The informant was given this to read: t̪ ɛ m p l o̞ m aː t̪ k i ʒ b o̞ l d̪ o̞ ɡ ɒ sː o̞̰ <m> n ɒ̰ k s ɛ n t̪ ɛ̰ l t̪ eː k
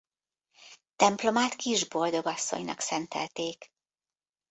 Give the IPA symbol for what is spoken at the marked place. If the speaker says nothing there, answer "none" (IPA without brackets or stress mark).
ɲ